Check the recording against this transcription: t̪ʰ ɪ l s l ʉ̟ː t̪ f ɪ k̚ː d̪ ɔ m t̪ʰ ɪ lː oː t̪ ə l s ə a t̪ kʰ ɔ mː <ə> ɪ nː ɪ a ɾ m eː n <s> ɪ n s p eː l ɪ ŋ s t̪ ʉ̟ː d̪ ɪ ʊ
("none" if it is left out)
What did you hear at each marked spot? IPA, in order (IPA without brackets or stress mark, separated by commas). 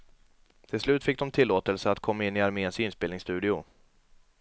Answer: a, s